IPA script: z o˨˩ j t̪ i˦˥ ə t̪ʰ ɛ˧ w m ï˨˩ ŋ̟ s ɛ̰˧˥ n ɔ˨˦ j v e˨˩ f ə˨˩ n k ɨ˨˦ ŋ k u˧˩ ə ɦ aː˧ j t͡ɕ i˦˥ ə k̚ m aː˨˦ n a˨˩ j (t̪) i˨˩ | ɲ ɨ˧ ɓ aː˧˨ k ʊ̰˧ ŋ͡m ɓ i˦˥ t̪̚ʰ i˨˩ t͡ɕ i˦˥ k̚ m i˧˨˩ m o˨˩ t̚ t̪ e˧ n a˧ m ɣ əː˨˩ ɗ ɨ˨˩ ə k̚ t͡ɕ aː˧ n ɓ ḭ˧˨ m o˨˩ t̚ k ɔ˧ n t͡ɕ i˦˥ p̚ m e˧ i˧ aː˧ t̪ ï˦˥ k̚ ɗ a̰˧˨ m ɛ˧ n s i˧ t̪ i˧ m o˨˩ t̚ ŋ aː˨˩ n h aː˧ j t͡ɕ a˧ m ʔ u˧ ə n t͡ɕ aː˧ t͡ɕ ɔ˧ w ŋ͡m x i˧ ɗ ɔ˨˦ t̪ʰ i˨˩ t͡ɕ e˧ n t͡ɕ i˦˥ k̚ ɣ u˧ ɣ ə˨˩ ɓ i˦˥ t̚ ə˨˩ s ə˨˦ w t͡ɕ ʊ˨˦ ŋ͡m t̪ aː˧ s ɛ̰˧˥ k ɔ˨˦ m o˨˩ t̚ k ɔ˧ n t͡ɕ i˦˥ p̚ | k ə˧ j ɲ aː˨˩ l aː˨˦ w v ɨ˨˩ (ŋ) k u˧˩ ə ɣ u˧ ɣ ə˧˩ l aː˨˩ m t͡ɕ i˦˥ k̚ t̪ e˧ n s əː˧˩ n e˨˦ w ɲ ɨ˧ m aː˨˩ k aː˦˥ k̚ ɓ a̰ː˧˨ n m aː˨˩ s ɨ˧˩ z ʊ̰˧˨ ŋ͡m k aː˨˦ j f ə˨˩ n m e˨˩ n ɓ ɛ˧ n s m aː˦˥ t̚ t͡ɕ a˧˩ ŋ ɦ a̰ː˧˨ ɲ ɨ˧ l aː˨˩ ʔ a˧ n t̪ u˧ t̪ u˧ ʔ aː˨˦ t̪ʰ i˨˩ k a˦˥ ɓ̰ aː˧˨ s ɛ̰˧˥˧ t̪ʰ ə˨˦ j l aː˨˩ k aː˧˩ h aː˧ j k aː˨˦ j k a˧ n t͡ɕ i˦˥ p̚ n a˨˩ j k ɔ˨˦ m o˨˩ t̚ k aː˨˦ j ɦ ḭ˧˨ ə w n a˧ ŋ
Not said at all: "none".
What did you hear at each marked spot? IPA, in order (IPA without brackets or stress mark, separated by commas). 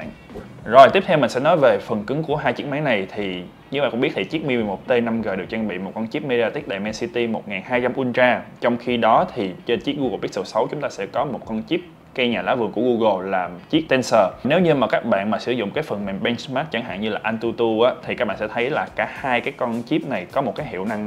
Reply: t̪ʰ, ŋ